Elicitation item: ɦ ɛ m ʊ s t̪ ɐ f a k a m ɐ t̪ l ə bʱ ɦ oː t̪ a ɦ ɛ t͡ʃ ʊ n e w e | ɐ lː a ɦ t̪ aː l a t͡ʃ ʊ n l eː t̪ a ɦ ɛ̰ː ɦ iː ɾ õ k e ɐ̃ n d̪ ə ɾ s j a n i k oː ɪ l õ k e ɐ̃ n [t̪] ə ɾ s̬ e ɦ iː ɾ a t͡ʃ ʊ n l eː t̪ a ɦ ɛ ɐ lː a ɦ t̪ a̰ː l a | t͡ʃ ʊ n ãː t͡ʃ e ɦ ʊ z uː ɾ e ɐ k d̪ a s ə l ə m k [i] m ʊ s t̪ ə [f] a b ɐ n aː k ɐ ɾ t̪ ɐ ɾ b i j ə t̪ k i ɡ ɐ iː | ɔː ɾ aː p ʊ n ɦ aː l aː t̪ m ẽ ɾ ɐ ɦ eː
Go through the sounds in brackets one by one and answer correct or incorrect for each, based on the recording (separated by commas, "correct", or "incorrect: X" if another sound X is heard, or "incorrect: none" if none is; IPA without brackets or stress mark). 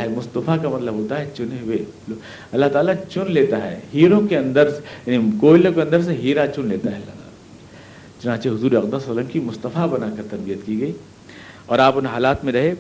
incorrect: d̪, correct, correct